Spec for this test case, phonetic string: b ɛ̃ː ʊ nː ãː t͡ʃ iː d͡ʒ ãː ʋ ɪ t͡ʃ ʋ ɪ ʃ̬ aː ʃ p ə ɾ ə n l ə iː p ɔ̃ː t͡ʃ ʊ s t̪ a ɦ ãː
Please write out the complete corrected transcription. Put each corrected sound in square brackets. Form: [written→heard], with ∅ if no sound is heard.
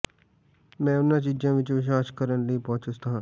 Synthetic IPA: [b→m] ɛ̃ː ʊ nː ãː t͡ʃ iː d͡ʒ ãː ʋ ɪ t͡ʃ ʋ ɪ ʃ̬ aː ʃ [p→k] ə ɾ ə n l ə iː p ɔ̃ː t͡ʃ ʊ s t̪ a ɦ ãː